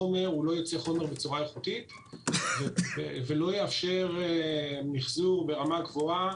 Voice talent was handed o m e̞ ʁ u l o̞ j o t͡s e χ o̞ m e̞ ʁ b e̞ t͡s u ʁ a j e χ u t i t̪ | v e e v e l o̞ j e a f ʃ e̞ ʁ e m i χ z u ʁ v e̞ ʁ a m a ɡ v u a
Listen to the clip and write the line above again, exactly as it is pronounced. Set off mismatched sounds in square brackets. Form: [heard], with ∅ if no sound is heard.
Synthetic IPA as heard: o m e̞ ʁ u l o̞ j o t͡s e χ o̞ m e̞ ʁ b e̞ t͡s u ʁ a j e χ u t i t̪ | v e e v e l o̞ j e a f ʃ e̞ ʁ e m i χ z u ʁ [b] e̞ ʁ a m a ɡ v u a